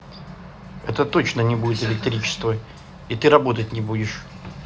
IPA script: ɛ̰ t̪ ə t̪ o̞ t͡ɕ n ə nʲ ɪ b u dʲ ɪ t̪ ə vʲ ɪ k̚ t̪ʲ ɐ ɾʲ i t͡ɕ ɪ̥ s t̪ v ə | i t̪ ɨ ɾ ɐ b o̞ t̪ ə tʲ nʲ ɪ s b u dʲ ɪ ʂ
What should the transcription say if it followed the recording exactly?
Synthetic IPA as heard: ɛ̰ t̪ ə t̪ o̞ t͡ɕ n ə nʲ ɪ b u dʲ ɪ t̪ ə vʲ ɪ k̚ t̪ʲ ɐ ɾʲ i t͡ɕ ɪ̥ s t̪ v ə | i t̪ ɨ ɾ ɐ b o̞ t̪ ə tʲ nʲ ɪ b u dʲ ɪ ʂ